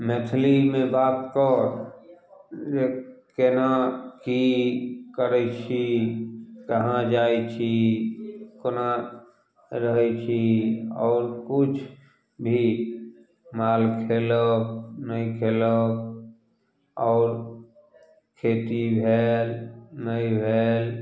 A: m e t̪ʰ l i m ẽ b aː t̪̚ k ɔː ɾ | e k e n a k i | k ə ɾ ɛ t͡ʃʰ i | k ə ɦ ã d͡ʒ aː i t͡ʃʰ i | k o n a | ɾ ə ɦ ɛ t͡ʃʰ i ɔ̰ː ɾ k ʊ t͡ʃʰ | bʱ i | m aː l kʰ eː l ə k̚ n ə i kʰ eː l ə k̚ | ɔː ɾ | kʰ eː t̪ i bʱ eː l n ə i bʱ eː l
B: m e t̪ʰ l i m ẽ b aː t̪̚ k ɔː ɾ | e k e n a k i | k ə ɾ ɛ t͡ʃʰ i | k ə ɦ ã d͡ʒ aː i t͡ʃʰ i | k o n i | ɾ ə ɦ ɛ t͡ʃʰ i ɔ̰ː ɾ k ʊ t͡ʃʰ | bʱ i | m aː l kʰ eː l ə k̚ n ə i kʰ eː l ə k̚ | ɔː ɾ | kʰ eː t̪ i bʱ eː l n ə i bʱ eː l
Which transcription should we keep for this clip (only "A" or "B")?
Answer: A